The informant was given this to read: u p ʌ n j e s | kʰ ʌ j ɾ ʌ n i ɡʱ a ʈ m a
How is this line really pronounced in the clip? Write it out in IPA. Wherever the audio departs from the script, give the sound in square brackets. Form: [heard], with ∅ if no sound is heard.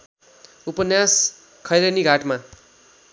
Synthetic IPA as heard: u p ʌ n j [a] s | kʰ ʌ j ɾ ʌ n i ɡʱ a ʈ m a